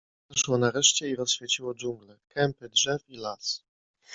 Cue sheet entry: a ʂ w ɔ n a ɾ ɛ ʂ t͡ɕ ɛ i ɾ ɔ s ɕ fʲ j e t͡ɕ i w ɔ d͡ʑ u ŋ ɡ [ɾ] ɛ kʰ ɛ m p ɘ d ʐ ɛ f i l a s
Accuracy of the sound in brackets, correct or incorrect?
incorrect